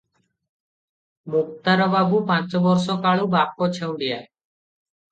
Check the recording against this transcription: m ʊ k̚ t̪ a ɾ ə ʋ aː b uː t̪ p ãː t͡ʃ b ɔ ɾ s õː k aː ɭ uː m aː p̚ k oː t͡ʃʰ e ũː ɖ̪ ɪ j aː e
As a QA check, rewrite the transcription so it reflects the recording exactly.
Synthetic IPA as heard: m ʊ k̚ t̪ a ɾ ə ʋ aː b uː p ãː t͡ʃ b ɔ ɾ s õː k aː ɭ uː b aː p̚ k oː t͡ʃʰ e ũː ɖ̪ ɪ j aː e